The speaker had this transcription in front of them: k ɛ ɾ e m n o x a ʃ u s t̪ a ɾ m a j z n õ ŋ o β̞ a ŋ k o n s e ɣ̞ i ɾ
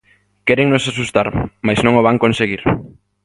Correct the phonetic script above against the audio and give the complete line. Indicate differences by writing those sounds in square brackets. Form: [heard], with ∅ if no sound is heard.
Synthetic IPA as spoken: k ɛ ɾ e [ŋ] n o [s] a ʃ u s t̪ a ɾ m a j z n õ ŋ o β̞ a ŋ k o n s e ɣ̞ i ɾ